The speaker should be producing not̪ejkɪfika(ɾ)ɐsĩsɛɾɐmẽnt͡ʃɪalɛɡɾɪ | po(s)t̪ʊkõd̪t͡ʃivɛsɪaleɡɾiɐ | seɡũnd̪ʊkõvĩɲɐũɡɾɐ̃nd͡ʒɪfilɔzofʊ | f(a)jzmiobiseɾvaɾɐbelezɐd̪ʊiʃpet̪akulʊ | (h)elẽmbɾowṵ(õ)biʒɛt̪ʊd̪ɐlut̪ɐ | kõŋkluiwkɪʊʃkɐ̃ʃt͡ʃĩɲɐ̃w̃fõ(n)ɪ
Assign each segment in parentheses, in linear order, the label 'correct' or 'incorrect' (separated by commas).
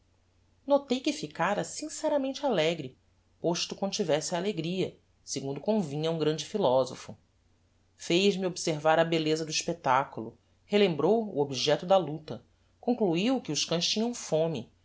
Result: correct, incorrect, incorrect, correct, incorrect, incorrect